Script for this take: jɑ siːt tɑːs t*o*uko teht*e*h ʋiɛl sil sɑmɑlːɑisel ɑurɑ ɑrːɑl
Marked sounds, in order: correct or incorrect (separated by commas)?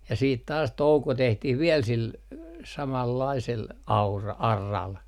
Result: correct, incorrect